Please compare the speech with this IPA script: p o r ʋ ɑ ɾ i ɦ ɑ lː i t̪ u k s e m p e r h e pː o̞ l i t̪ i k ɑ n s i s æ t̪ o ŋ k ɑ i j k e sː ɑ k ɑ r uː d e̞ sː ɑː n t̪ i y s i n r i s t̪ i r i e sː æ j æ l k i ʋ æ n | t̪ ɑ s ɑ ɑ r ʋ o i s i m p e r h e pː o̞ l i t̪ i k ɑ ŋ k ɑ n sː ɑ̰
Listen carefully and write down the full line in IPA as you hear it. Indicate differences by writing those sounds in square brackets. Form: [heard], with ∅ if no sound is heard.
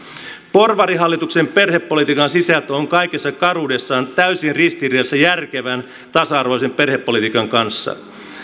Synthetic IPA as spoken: p o r ʋ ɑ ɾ i ɦ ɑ lː i t̪ u k s e m p e r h e pː o̞ l i t̪ i k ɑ n s i s æ t̪ o ŋ k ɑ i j k e sː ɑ k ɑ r uː d e̞ sː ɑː n t̪ [æ] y s i n r i s t̪ i r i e sː æ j æ [r] k [e] ʋ æ n | t̪ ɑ s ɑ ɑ r ʋ o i s [e] m p e r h e pː o̞ l i t̪ i k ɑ ŋ k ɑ n sː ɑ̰